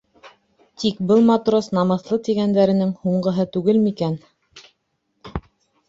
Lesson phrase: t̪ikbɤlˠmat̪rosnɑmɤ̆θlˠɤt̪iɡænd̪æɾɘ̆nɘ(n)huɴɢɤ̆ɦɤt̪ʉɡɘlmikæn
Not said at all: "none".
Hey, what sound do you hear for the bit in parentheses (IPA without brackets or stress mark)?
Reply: ŋ